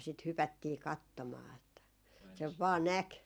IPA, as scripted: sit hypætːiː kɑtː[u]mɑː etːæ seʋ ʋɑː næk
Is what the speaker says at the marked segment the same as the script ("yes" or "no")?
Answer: no